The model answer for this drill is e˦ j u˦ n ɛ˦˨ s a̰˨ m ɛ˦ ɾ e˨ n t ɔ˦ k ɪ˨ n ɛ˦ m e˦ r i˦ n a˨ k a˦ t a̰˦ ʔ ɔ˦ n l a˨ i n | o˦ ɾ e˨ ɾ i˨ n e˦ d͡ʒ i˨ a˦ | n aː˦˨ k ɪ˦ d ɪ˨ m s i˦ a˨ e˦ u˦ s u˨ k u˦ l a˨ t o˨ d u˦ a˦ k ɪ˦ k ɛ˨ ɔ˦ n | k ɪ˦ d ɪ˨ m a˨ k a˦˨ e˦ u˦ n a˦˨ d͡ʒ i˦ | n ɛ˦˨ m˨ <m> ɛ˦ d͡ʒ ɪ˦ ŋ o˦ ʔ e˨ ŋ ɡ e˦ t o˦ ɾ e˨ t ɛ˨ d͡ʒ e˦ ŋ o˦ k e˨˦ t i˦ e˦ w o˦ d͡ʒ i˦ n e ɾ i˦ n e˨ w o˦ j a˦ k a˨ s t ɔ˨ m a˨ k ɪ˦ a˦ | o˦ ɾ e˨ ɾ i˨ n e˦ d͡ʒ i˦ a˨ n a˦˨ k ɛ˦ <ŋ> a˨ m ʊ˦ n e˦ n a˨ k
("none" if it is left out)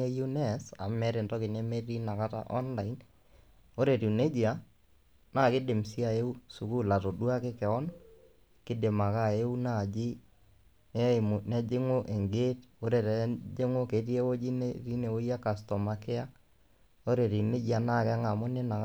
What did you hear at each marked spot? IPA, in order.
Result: n, ŋ

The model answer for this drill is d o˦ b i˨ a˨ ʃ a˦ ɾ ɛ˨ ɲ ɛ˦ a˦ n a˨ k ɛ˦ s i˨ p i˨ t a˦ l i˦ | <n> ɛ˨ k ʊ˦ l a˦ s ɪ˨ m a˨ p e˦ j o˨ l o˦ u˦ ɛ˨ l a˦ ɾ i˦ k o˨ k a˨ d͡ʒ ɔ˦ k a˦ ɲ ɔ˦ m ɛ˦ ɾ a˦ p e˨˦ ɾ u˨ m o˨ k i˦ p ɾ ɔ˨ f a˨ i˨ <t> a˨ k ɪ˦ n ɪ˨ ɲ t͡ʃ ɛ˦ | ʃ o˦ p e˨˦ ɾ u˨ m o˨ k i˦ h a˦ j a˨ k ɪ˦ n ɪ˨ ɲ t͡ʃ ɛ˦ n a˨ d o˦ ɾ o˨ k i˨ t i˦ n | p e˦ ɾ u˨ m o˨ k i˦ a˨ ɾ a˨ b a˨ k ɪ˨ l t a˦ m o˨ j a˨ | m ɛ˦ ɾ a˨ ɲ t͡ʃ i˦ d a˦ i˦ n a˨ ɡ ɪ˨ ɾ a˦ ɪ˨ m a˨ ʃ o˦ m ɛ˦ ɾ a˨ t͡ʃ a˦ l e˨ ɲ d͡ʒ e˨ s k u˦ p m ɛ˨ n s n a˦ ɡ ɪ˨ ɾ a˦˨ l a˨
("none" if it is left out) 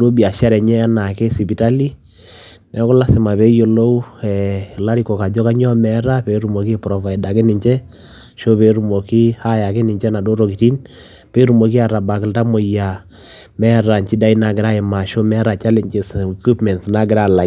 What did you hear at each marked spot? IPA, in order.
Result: n, d

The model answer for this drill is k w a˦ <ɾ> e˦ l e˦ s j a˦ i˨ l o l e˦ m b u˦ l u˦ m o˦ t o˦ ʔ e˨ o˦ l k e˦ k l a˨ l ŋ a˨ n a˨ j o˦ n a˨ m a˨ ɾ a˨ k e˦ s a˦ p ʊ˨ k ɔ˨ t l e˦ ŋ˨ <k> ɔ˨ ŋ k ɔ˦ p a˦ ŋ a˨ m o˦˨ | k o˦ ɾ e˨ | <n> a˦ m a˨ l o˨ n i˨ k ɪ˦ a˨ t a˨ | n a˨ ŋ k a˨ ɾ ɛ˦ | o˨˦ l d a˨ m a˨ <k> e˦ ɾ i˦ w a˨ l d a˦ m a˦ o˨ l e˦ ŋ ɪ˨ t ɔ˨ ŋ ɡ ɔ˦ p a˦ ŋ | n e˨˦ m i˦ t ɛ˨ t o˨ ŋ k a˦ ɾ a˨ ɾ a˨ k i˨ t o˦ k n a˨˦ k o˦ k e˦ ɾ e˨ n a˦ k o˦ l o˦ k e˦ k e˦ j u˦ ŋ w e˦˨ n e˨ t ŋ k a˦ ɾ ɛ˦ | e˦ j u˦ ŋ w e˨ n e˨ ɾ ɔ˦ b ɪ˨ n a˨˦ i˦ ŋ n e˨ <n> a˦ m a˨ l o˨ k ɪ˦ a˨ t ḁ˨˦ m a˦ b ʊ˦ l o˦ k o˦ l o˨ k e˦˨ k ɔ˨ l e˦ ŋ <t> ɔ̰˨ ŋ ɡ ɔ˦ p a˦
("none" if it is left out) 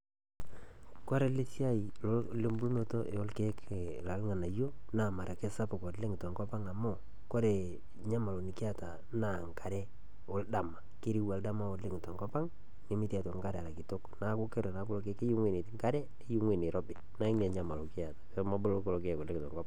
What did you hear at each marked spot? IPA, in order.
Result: ɾ, t, ɲ, k, ɲ, t

